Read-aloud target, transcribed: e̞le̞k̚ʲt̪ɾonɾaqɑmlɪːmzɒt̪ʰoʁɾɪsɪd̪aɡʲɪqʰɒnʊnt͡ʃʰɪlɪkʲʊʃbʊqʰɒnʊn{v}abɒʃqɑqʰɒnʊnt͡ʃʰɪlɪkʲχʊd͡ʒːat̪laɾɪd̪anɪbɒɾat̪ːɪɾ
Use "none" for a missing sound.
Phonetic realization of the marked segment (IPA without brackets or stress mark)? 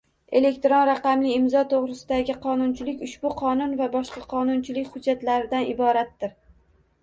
v